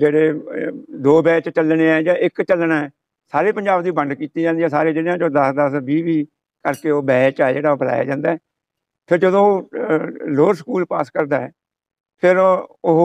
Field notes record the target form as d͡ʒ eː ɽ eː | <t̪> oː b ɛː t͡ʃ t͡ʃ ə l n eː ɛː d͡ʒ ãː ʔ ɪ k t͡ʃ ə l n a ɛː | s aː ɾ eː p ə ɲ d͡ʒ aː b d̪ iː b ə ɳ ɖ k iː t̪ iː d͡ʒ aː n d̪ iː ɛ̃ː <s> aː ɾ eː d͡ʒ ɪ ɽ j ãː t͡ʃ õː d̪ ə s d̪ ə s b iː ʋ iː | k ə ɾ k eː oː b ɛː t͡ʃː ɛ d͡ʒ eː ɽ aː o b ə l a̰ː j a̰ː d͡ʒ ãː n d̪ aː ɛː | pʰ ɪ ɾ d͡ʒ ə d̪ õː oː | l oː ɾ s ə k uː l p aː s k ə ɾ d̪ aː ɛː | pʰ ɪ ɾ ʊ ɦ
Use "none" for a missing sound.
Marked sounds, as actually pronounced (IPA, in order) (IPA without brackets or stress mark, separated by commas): d̪, s